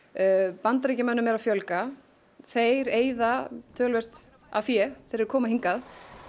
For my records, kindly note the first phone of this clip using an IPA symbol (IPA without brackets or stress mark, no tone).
p